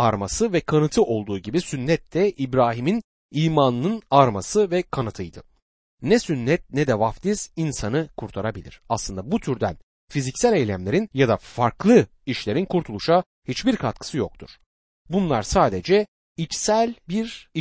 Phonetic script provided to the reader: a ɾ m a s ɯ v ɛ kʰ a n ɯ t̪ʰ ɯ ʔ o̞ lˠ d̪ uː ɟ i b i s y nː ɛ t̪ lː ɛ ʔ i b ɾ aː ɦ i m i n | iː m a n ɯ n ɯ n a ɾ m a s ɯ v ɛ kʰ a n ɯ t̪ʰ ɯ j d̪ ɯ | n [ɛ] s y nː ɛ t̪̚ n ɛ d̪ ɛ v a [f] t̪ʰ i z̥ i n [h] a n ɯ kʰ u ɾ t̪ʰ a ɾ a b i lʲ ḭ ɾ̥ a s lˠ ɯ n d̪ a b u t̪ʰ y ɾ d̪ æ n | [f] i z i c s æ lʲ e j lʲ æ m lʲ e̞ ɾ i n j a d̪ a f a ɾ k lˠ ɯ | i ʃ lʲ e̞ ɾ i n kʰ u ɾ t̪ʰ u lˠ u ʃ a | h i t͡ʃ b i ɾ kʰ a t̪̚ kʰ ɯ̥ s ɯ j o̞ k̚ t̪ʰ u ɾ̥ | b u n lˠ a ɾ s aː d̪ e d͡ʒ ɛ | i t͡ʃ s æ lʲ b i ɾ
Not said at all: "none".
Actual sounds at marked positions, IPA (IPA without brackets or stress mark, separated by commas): ɛ, f, s, f